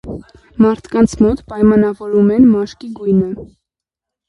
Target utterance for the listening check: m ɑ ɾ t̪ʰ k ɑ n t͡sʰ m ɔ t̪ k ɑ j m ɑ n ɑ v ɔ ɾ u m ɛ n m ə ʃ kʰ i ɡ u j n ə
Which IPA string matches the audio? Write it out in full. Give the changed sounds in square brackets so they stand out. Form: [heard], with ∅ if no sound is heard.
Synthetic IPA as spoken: m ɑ ɾ t̪ʰ k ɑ n t͡sʰ m ɔ t̪ [p] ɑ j m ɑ n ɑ v ɔ ɾ u m ɛ n m [ɑ] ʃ [k] i ɡ u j n ə